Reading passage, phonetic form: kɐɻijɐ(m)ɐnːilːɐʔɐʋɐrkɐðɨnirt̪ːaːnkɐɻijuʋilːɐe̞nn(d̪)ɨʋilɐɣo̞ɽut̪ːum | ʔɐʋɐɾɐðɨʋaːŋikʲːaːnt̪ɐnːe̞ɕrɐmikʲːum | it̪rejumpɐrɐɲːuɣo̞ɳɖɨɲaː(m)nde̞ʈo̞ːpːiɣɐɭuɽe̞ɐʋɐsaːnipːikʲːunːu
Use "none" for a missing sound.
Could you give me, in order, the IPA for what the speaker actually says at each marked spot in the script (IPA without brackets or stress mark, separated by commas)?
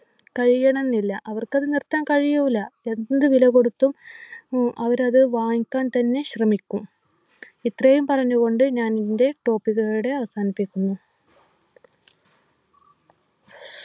ɳ, d̪, n